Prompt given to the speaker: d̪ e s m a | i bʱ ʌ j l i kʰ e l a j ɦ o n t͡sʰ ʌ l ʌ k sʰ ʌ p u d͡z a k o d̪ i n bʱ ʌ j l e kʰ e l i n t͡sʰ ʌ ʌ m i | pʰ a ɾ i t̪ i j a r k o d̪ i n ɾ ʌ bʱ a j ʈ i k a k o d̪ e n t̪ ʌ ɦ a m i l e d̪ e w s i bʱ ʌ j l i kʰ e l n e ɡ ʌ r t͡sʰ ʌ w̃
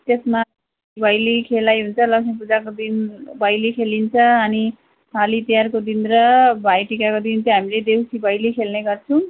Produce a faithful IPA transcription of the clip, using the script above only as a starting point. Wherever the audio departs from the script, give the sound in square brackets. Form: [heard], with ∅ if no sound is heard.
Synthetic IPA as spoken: [t̪] e s m a | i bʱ ʌ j l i kʰ e l a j ɦ [u] n t͡sʰ ʌ l ʌ k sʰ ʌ p u d͡z a k o d̪ i n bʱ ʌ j l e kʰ e l i n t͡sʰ ʌ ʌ [n] i | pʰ a [l] i t̪ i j a r k o d̪ i n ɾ ʌ bʱ a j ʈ i k a k o d̪ [i] n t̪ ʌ ɦ a m i l e d̪ e w s i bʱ ʌ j l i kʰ e l n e ɡ ʌ r t͡sʰ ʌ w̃